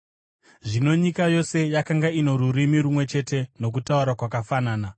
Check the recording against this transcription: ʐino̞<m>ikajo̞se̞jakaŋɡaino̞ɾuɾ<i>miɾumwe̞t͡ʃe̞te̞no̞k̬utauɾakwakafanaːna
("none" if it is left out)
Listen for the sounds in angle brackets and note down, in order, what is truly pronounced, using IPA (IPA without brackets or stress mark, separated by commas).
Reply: ɲ, i